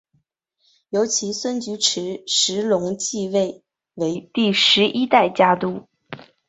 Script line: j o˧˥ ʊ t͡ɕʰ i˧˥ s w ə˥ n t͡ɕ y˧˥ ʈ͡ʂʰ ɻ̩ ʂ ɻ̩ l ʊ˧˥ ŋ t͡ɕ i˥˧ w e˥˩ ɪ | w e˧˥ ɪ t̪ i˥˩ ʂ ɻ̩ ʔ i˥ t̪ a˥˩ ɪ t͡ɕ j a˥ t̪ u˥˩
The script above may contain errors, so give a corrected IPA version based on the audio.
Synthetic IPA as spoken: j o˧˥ ʊ t͡ɕʰ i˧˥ s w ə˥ n t͡ɕ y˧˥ ʈ͡ʂʰ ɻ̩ ʂ ɻ̩ l ʊ˧˥ ŋ t͡ɕ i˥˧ w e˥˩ ɪ | w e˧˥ ɪ t̪ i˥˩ ʂ ɻ̩ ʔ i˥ t̪ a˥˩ ɪ t͡ɕ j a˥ t̪ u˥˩

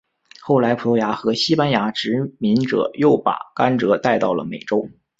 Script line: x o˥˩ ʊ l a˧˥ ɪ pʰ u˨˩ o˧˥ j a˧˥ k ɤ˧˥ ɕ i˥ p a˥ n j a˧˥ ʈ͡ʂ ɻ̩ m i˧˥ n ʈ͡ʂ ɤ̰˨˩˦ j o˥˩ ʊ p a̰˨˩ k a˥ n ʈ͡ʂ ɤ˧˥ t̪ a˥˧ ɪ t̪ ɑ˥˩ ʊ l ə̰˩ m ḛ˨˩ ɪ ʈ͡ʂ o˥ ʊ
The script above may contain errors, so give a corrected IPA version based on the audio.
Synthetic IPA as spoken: x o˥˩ ʊ l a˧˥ ɪ pʰ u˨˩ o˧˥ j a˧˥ x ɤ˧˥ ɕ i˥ p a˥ n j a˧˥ ʈ͡ʂ ɻ̩ m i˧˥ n ʈ͡ʂ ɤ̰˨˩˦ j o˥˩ ʊ p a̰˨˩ k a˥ n ʈ͡ʂ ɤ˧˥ t̪ a˥˧ ɪ t̪ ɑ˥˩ ʊ l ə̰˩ m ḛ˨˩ ɪ ʈ͡ʂ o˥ ʊ

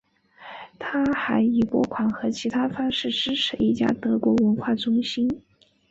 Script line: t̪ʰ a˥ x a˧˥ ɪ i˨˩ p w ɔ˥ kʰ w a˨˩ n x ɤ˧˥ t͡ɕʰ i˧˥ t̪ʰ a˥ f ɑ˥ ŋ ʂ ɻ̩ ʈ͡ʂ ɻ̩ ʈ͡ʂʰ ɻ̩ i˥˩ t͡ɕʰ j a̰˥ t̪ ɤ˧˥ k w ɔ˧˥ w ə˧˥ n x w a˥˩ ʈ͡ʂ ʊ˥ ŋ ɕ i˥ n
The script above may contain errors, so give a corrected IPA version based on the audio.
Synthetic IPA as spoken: t̪ʰ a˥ x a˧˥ ɪ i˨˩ p w ɔ˥ kʰ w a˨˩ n x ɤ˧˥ t͡ɕʰ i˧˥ t̪ʰ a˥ f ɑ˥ ŋ ʂ ɻ̩ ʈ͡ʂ ɻ̩ ʈ͡ʂʰ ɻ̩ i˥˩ t͡ɕ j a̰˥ t̪ ɤ˧˥ k w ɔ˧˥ w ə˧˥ n x w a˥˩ ʈ͡ʂ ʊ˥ ŋ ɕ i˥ n

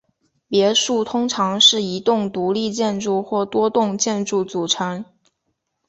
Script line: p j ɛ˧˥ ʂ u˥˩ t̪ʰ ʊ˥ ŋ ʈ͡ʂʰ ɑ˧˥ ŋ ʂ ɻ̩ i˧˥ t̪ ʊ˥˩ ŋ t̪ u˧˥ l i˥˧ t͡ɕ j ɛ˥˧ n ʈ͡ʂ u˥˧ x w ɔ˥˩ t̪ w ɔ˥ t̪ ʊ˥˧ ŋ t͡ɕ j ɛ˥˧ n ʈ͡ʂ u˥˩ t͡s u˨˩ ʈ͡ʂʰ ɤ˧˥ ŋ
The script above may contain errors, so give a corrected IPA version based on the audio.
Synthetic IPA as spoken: p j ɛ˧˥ ʂ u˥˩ t̪ʰ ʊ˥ ŋ ʈ͡ʂʰ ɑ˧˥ ŋ ʂ ɻ̩ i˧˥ t̪ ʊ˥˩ ŋ t̪ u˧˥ l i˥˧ t͡ɕ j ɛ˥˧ n ʈ͡ʂ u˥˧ x w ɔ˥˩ t̪ w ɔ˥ t̪ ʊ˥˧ ŋ t͡ɕ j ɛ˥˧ n ʈ͡ʂ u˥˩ t͡s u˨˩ ʈ͡ʂʰ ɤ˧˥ ŋ

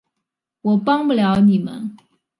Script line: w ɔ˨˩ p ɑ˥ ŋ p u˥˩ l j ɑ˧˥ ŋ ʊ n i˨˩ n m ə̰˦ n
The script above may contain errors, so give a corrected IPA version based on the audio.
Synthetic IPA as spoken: w ɔ˨˩ p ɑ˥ ŋ p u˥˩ l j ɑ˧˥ ʊ n i˨˩ m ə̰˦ n

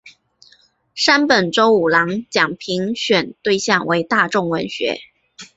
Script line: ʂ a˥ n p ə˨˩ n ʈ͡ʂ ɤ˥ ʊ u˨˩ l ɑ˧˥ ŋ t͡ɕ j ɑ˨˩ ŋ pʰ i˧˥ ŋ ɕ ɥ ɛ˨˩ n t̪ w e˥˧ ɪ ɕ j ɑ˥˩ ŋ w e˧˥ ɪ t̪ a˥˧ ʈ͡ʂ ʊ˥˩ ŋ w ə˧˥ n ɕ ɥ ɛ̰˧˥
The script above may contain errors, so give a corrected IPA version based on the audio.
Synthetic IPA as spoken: ʂ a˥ n p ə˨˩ n ʈ͡ʂ o˥ ʊ u˨˩ l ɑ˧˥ ŋ t͡ɕ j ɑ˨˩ ŋ pʰ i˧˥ ŋ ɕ ɥ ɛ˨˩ n t̪ w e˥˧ ɪ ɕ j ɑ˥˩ ŋ w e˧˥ ɪ t̪ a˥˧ ʈ͡ʂ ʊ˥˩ ŋ w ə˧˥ n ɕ ɥ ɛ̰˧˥

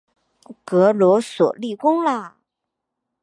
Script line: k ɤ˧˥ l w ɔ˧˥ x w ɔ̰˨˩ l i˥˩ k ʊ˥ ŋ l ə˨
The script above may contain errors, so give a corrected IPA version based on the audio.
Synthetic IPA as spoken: k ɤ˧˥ l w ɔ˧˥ s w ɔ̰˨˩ l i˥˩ k ʊ˥ ŋ l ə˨

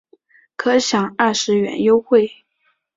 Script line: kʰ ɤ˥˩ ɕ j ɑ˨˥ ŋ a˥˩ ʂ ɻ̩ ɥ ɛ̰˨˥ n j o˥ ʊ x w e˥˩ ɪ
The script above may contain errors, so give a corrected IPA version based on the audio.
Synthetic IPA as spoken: kʰ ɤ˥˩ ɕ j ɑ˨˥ ŋ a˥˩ ʂ ɻ̩ ɥ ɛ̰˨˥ n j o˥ ʊ x w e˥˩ ɪ

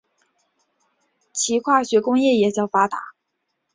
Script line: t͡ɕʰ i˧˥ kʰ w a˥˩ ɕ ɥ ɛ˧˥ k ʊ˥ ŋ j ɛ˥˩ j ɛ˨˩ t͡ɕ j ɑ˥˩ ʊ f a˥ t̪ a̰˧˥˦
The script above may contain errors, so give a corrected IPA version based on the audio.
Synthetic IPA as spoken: t͡ɕʰ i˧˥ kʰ w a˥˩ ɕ ɥ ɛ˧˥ k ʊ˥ ŋ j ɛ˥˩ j ɛ˨˩ t͡ɕ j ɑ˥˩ ʊ f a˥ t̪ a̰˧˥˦

